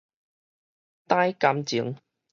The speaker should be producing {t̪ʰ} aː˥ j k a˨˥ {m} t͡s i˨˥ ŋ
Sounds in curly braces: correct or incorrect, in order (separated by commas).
incorrect, correct